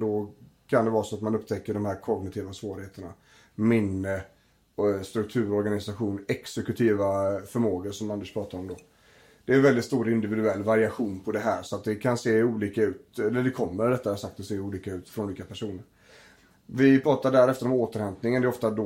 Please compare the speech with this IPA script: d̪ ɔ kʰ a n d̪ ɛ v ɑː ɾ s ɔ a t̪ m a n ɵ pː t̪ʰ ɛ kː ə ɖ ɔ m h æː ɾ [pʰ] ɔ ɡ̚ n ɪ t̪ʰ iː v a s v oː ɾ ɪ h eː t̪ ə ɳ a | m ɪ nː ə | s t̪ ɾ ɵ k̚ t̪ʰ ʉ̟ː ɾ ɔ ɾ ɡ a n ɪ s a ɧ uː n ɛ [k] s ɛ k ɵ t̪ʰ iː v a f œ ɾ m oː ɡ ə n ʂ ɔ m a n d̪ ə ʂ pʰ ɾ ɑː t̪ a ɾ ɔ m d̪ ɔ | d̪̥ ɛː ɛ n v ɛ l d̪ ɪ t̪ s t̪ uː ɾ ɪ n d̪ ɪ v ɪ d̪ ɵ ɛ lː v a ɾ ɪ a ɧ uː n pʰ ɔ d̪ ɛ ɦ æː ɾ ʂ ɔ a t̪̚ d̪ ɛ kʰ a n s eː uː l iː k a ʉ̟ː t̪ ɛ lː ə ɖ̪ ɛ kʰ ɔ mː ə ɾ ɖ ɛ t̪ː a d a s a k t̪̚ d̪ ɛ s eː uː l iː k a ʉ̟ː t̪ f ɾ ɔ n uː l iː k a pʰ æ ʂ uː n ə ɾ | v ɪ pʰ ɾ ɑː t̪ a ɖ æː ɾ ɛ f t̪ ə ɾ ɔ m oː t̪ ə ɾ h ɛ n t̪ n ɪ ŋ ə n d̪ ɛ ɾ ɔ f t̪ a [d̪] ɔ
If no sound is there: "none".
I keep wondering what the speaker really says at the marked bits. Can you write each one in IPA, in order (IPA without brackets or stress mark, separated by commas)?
kʰ, k, d̪